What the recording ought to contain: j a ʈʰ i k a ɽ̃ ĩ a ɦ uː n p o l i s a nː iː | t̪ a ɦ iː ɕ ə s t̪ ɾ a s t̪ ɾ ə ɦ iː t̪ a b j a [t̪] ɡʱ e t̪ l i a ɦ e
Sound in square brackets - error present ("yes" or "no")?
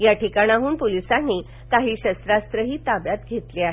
no